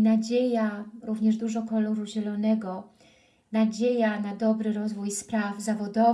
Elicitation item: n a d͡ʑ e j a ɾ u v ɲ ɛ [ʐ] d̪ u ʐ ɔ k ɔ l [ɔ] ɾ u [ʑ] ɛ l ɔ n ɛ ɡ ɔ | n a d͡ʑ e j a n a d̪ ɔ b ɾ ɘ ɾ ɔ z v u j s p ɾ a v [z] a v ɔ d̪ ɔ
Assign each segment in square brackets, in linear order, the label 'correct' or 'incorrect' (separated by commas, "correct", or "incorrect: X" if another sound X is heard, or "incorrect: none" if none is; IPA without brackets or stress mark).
correct, correct, correct, correct